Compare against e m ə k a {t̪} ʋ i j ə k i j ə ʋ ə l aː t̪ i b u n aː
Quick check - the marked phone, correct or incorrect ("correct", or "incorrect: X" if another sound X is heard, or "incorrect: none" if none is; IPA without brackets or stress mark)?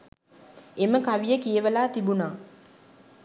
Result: incorrect: none